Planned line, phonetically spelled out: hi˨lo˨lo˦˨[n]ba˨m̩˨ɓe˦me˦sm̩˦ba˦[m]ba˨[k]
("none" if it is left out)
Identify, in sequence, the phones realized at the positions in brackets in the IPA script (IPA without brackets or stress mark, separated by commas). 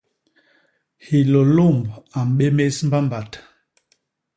m, m, t